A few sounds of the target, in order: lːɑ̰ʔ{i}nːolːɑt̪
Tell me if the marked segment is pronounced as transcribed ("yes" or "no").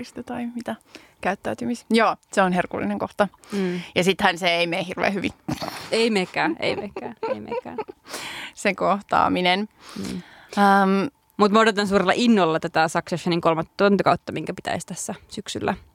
yes